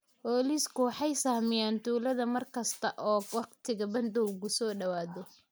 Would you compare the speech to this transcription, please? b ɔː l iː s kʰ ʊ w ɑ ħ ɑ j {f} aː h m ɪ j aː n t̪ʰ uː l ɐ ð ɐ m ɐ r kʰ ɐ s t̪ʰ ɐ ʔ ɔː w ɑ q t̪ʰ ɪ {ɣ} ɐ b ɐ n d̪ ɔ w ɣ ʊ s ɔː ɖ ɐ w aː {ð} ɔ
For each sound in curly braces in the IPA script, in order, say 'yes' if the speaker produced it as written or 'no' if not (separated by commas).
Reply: no, yes, yes